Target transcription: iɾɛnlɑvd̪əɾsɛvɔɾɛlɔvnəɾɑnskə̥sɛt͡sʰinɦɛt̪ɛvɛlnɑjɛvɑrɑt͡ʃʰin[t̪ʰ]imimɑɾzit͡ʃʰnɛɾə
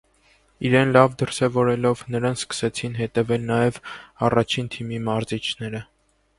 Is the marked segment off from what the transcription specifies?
no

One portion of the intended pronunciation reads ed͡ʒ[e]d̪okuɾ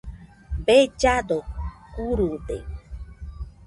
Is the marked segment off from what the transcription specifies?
yes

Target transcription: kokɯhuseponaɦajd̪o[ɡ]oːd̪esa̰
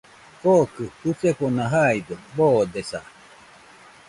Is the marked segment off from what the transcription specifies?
yes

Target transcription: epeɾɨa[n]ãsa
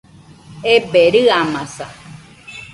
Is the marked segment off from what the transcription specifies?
yes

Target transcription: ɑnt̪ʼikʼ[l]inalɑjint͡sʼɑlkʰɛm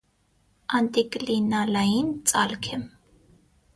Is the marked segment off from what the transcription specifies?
no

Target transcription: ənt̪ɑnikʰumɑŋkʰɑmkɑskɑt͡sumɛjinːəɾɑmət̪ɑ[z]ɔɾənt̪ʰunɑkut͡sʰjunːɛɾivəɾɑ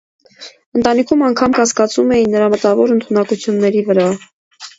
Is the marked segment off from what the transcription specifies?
yes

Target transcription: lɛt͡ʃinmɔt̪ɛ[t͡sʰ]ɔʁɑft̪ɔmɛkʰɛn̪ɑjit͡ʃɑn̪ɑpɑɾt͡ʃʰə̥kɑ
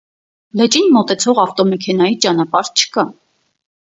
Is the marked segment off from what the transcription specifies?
no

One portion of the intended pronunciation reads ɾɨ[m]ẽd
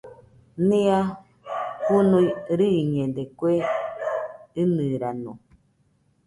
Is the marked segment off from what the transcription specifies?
yes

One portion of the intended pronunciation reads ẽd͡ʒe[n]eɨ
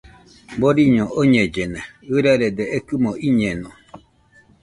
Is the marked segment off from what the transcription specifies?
no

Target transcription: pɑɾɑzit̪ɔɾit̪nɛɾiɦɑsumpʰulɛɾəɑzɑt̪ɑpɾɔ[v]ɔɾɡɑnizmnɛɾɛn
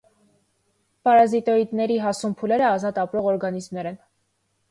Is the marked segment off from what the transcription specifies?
yes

